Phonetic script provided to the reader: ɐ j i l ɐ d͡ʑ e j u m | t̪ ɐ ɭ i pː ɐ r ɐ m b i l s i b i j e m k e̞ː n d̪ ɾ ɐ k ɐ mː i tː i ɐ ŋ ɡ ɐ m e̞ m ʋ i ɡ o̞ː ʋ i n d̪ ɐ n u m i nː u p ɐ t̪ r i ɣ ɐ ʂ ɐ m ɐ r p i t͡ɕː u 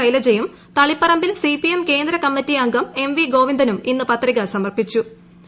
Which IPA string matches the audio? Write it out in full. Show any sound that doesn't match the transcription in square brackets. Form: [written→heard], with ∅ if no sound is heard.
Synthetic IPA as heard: ɐ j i l ɐ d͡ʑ e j u m | t̪ ɐ ɭ i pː ɐ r ɐ m b i l s i [b→p] i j e m k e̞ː n d̪ ɾ ɐ k ɐ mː i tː i ɐ ŋ ɡ ɐ m e̞ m ʋ i ɡ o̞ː ʋ i n d̪ ɐ n u m i nː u p ɐ t̪ r i ɣ ɐ [ʂ→s] ɐ m ɐ r p i t͡ɕː u